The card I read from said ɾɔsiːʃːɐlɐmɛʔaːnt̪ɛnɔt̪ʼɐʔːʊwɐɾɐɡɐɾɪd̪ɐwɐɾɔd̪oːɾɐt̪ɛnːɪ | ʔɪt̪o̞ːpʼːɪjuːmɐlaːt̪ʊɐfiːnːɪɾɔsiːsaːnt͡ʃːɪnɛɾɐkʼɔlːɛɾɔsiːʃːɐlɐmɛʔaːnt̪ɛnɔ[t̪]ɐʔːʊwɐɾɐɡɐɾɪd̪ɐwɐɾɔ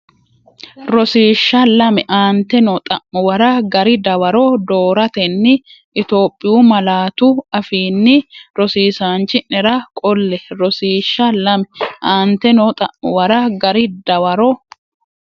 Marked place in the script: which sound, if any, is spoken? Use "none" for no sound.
t̪ʼ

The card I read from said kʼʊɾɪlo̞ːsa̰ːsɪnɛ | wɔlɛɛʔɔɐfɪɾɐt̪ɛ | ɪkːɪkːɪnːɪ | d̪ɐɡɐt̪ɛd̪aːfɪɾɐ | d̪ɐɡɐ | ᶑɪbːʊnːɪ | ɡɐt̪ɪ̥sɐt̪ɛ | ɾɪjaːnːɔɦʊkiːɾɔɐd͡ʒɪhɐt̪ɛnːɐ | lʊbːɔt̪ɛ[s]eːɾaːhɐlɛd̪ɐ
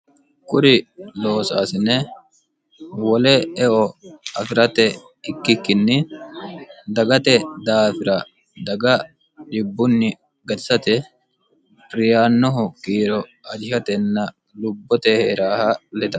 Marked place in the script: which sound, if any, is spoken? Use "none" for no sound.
h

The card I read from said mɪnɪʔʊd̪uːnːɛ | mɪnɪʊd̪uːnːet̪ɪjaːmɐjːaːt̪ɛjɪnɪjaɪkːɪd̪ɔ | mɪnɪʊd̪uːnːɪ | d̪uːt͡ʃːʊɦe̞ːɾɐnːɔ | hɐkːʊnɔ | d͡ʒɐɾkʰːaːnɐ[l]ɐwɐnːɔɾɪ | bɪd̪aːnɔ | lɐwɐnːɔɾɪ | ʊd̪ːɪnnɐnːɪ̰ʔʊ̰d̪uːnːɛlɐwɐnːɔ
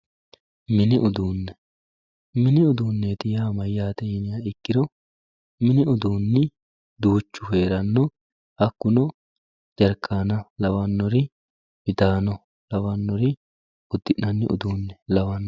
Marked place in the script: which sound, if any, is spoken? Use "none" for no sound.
l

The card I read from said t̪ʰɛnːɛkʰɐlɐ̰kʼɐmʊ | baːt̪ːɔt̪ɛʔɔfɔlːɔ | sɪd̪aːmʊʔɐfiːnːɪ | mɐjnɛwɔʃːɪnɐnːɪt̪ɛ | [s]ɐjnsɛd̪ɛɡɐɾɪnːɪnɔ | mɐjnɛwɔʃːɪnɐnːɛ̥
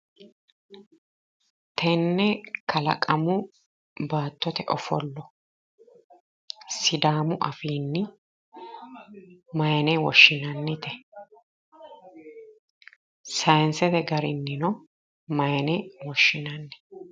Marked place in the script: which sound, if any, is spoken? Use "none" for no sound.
s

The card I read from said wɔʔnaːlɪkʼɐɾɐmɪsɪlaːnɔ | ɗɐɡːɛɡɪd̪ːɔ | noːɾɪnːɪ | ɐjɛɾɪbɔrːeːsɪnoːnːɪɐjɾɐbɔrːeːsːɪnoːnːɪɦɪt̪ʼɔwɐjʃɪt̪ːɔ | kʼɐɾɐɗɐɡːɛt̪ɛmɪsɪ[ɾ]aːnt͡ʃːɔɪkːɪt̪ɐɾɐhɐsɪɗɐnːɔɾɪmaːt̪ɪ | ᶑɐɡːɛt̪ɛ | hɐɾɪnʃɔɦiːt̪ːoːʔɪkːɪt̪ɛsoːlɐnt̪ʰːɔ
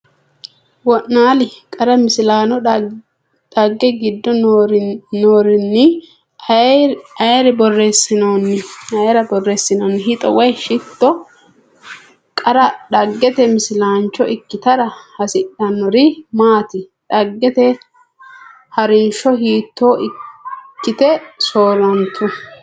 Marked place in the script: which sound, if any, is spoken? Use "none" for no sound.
l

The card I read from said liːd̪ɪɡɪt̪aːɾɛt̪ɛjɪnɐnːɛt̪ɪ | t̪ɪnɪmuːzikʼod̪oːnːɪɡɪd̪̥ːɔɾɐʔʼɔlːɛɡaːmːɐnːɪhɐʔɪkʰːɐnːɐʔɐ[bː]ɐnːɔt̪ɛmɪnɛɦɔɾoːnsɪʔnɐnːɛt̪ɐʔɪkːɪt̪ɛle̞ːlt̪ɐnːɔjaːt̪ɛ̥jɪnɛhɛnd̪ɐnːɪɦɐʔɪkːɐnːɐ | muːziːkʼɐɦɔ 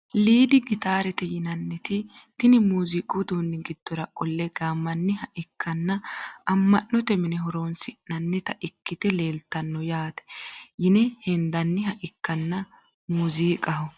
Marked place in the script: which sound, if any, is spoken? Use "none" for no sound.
mː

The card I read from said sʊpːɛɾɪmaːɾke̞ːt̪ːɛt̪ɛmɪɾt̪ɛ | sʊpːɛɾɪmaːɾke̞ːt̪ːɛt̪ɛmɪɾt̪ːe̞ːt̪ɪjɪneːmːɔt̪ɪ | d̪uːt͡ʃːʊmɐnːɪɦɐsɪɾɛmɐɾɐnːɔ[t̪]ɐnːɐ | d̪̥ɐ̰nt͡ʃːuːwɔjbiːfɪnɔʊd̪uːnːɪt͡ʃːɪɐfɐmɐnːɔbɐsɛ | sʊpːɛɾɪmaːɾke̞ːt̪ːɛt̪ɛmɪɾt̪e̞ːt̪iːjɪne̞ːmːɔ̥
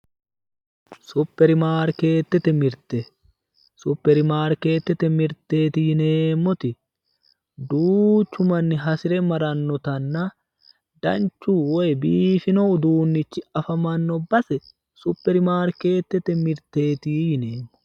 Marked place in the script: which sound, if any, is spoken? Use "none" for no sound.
t̪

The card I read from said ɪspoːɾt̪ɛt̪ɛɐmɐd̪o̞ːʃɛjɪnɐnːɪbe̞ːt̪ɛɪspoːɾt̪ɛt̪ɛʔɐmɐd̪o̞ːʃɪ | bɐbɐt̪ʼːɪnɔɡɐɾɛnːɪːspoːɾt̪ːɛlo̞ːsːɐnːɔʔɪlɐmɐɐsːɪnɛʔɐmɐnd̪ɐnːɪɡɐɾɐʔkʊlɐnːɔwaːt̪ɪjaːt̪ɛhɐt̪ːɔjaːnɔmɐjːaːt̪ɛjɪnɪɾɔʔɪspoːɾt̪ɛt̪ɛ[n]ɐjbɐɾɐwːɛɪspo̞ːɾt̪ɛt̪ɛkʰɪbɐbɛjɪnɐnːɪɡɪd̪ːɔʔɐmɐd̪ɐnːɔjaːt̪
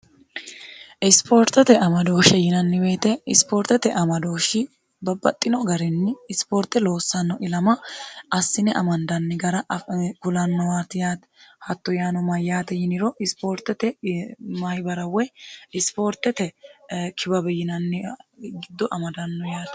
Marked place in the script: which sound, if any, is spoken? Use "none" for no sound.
m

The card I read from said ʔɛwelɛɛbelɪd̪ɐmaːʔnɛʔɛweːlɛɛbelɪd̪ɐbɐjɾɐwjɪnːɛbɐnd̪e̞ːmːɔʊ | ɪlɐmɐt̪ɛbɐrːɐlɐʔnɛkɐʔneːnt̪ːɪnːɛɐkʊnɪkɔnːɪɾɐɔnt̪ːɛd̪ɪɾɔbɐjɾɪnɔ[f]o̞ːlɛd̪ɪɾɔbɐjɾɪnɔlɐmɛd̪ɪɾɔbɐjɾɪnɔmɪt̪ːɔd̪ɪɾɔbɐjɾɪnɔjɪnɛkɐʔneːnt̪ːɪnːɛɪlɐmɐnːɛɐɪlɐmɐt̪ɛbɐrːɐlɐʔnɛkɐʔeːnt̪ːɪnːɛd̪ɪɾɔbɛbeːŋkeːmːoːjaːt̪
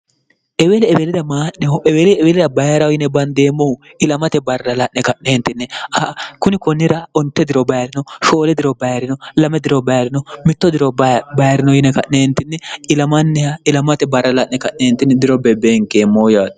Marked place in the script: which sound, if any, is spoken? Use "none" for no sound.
ʃ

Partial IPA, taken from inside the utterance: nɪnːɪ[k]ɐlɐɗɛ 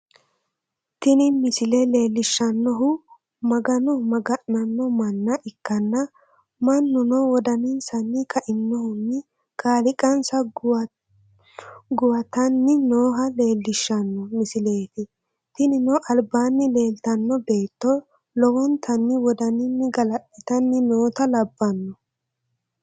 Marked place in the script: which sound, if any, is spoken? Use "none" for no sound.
ɡ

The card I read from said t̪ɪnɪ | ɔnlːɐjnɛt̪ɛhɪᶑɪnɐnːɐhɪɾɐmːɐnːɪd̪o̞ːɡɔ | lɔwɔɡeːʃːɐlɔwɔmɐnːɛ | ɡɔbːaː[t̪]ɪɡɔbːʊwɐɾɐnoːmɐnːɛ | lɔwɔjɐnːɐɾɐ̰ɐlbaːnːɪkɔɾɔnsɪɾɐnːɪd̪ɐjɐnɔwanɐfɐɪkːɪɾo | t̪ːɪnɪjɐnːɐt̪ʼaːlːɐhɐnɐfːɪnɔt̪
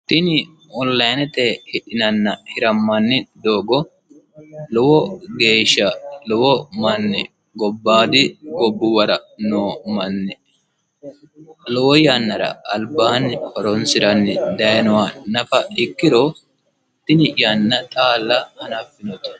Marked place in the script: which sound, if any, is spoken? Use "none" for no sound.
d̪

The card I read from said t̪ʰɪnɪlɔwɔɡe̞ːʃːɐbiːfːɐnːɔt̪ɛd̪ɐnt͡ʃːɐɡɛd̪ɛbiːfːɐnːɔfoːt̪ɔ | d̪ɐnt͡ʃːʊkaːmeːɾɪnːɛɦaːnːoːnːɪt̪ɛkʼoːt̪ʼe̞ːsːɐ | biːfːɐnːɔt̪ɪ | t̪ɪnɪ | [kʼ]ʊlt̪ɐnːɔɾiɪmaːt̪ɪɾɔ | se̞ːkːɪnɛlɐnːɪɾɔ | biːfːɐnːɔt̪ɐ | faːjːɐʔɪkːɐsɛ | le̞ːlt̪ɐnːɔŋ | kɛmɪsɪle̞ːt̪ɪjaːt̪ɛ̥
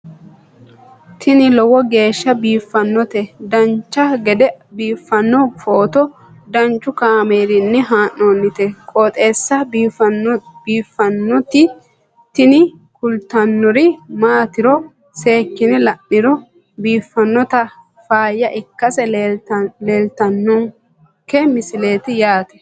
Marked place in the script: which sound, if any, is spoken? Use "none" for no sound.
k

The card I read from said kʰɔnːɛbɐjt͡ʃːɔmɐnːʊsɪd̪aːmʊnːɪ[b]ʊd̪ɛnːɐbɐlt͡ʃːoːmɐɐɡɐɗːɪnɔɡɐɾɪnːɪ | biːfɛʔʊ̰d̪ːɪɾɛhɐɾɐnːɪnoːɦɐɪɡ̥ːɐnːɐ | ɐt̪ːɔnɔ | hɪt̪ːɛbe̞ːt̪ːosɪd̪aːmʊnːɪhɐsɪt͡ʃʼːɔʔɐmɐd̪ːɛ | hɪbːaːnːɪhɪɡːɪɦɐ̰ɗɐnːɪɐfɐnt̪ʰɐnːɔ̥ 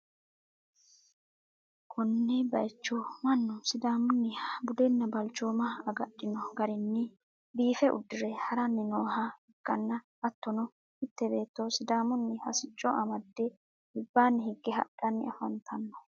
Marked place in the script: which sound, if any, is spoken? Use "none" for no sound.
b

